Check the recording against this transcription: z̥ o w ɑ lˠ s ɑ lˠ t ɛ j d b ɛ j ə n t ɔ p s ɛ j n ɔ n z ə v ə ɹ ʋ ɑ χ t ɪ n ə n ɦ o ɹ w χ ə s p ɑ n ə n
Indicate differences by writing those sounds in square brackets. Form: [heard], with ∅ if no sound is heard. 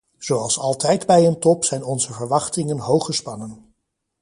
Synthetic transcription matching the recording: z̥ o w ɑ lˠ s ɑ lˠ t ɛ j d b ɛ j ə n t ɔ p s ɛ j n ɔ n z ə v ə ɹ ʋ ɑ χ t ɪ [ŋ] ə n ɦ o [∅] w χ ə s p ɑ n ə n

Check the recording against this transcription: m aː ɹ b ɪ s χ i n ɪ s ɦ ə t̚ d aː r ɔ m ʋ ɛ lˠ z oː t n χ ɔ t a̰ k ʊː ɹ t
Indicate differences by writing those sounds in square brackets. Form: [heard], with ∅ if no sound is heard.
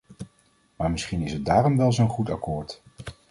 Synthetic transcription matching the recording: m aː ɹ [m] ɪ s χ i n ɪ s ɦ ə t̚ d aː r ɔ m ʋ ɛ lˠ z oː [∅] n χ [u] t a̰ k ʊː ɹ t

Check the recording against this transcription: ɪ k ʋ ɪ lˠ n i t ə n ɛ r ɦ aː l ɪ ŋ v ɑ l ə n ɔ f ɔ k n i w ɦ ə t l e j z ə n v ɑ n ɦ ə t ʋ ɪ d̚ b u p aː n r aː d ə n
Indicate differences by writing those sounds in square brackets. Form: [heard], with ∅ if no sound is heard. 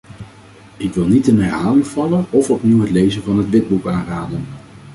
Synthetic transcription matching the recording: ɪ k ʋ ɪ lˠ n i t ə n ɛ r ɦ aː l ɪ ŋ v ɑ l ə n ɔ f ɔ [p] n i w ɦ ə t l e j z ə n v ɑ n ɦ ə t ʋ ɪ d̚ b u [k] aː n r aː d ə n

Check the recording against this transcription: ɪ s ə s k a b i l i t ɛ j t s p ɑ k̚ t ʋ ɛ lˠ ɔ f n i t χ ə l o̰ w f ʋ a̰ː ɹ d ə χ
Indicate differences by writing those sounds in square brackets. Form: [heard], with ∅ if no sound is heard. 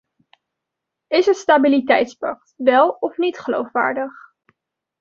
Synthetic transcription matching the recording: ɪ s ə s [t] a b i l i t ɛ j t s p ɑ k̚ t ʋ ɛ lˠ ɔ f n i t χ ə l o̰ w f ʋ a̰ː ɹ d ə χ

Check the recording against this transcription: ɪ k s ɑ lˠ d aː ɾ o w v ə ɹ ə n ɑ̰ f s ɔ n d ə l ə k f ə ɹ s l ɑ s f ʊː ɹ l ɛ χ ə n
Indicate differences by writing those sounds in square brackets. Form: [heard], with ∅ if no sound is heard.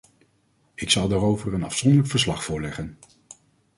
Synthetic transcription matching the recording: ɪ k s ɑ lˠ d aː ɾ o w v ə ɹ ə n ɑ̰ f s ɔ n d ə l ə k f ə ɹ s l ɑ [χ] f ʊː ɹ l ɛ χ ə n

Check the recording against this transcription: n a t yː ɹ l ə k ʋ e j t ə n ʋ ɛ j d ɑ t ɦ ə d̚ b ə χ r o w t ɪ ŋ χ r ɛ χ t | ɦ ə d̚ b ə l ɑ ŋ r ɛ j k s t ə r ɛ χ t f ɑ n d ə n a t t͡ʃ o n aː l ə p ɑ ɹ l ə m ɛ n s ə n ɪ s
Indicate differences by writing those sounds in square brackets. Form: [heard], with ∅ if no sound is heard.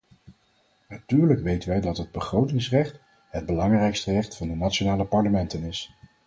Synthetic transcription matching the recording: n a t yː ɹ l ə k ʋ e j t ə n ʋ ɛ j d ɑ t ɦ ə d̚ b ə χ r o w t ɪ ŋ [s] r ɛ χ t | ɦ ə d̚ b ə l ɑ ŋ r ɛ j k s t ə r ɛ χ t f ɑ n d ə n a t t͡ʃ o n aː l ə p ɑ ɹ l ə m ɛ n [t] ə n ɪ s

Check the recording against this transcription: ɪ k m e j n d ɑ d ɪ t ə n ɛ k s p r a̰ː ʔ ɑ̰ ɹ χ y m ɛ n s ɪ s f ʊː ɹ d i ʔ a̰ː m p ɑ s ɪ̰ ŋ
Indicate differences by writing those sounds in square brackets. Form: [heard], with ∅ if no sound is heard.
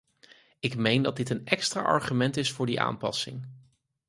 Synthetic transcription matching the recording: ɪ k m e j n d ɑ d ɪ t ə n ɛ k s [t] r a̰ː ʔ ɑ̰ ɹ χ y m ɛ n [t] ɪ s f ʊː ɹ d i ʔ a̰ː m p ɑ s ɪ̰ ŋ

